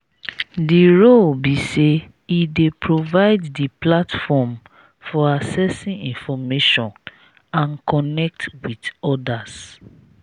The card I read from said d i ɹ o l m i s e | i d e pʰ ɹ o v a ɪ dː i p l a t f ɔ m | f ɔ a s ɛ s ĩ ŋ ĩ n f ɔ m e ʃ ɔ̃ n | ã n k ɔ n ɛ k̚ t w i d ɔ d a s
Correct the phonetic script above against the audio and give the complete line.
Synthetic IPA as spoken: d i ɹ o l b i s e | i d e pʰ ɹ o v a ɪ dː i p l a t f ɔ m | f ɔ a s ɛ s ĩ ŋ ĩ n f ɔ m e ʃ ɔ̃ n | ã n k ɔ n ɛ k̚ t w i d ɔ d a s